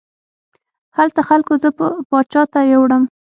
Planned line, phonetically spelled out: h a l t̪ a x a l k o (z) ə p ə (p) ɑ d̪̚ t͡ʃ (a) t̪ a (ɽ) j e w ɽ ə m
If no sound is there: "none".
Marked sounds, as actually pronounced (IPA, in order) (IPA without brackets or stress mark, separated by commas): z, p, ɑ, none